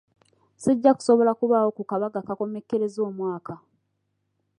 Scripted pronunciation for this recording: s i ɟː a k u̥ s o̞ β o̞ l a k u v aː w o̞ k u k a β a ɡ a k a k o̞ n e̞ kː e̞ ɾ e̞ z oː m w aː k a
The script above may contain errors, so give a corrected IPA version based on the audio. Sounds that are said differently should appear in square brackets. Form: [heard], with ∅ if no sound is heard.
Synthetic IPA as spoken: s i ɟː a k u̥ s o̞ β o̞ l a k u [β] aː w o̞ k u k a β a ɡ a k a k o̞ [m] e̞ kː e̞ ɾ e̞ z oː m w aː k a